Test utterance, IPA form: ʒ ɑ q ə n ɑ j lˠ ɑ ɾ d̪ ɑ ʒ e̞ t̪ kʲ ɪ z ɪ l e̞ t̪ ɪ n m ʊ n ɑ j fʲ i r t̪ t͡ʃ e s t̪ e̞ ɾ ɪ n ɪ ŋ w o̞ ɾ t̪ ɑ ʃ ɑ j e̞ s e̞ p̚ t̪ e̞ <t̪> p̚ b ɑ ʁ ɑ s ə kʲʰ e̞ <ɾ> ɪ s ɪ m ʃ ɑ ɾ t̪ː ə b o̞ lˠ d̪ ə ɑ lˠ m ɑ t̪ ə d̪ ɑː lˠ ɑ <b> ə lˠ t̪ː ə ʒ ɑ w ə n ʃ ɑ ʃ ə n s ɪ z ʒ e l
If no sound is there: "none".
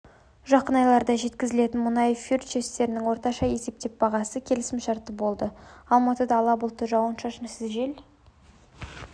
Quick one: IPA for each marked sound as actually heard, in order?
none, l, b

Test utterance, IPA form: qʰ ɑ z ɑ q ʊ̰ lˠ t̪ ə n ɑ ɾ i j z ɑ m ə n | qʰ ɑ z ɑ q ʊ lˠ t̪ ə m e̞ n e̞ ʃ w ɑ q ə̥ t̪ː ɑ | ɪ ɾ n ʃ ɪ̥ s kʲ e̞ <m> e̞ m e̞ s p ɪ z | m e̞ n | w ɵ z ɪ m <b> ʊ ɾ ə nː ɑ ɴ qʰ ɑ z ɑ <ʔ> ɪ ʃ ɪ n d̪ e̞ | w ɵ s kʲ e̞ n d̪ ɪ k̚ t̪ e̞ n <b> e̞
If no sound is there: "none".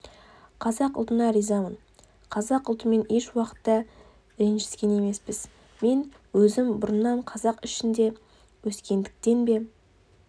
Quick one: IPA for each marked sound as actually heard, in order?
n, b, q, b

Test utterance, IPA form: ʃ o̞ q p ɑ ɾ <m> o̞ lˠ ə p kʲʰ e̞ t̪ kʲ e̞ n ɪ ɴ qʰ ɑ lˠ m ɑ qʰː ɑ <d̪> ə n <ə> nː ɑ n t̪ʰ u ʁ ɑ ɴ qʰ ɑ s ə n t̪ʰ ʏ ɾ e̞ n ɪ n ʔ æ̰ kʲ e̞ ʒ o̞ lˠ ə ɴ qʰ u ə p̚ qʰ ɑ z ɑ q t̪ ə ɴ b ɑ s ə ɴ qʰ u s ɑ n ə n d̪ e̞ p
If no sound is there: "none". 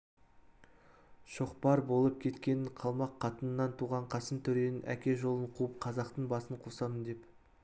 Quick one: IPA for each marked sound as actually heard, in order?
b, t̪, ə

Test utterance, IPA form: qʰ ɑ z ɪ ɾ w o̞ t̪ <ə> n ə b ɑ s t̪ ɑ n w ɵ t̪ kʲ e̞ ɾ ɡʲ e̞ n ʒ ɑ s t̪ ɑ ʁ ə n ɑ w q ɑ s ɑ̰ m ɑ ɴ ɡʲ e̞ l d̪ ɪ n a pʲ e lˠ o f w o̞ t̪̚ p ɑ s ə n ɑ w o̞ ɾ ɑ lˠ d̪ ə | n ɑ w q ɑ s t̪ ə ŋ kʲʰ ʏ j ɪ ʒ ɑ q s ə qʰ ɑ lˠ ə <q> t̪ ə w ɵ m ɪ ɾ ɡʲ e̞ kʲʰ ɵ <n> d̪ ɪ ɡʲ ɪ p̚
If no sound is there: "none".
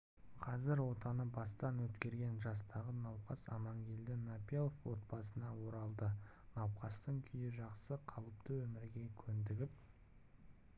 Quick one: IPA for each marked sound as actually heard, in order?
ɑ, p, n

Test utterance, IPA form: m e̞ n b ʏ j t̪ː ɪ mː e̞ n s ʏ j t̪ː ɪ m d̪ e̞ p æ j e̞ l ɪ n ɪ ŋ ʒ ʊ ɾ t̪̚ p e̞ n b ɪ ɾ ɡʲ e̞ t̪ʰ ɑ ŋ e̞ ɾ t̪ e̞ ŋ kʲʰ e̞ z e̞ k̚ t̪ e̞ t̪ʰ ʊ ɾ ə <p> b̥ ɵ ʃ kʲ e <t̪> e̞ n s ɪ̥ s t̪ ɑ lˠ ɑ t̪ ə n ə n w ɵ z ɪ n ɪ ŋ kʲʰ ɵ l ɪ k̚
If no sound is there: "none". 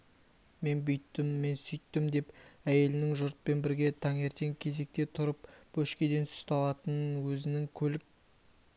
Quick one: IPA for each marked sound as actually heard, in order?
p, d̪

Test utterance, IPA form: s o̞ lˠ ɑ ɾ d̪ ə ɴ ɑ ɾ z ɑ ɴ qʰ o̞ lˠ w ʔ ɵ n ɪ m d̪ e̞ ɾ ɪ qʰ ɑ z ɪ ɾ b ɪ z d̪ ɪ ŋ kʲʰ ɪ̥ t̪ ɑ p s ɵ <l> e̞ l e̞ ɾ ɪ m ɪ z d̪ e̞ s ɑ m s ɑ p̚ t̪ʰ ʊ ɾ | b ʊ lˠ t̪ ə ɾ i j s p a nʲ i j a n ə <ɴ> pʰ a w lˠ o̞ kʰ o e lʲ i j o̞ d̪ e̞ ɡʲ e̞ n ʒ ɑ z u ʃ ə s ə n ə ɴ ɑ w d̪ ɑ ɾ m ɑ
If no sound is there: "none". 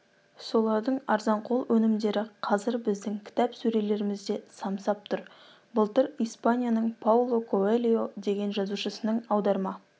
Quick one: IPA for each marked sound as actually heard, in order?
ɾ, ɴ

